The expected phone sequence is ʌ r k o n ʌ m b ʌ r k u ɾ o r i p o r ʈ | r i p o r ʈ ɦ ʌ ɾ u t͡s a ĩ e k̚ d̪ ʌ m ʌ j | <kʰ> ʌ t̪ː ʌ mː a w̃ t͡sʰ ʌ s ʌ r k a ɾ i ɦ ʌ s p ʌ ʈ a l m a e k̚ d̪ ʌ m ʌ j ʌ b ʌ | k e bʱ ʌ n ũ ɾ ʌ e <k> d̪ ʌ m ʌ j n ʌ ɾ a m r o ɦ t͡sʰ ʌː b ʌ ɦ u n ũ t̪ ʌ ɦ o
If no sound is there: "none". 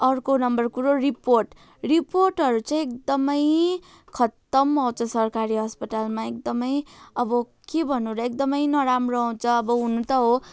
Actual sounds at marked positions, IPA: kʰ, k

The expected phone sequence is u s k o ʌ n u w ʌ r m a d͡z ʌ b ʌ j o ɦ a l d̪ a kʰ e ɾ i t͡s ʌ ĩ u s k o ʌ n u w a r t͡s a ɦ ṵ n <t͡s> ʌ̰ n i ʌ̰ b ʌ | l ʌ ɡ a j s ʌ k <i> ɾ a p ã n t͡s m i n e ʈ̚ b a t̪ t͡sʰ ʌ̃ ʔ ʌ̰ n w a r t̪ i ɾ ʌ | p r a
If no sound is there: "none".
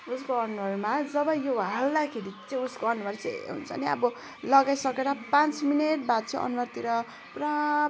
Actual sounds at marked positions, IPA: t͡sʰ, e

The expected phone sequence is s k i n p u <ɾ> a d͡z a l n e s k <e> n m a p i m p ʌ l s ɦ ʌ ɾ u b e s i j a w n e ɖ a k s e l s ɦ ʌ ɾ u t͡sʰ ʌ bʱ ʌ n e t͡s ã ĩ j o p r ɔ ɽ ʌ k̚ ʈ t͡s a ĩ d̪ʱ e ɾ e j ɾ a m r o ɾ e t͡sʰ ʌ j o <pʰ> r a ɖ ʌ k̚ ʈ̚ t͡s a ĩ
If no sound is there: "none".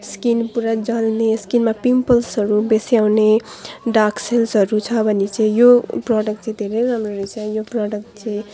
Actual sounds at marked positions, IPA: ɾ, i, p

